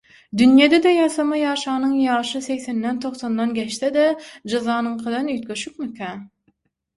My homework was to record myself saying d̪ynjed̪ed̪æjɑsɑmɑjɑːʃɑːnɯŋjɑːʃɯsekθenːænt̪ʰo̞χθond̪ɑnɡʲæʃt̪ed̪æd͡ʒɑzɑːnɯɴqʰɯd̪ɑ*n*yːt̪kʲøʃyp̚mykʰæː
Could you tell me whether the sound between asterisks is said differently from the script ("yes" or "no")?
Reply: no